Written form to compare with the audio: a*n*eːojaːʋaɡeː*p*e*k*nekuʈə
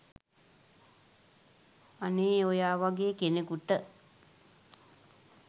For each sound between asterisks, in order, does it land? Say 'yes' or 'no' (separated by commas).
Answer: yes, no, no